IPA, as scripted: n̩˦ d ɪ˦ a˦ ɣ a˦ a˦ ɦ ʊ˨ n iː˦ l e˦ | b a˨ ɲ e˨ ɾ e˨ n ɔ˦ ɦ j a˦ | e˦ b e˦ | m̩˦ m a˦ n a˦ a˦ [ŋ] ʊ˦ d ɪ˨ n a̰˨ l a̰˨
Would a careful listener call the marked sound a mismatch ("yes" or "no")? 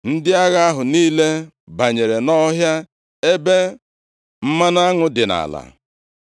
no